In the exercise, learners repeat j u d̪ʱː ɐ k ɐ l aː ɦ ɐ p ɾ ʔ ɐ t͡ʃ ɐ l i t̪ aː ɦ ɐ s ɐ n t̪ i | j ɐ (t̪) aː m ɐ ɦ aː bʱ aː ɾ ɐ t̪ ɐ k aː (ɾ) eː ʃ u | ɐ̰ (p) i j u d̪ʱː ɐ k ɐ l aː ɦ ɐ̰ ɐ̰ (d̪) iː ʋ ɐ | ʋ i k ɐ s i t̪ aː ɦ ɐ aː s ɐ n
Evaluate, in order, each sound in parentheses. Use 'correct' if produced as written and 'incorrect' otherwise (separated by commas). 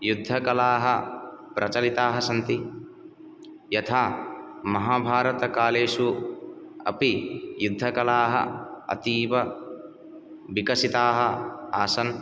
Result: incorrect, incorrect, correct, incorrect